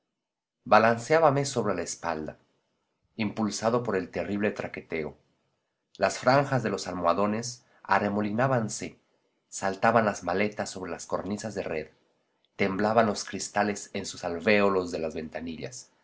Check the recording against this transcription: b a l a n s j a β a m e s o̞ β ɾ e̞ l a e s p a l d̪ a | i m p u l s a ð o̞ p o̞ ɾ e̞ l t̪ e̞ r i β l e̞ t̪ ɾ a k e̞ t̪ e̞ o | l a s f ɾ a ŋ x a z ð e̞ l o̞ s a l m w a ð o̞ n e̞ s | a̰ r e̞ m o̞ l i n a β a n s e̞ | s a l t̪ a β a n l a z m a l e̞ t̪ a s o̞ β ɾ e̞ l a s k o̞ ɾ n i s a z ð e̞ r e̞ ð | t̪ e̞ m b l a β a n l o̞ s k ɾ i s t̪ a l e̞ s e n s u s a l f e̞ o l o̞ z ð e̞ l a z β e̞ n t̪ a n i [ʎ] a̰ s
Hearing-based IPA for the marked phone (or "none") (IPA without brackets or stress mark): ʎ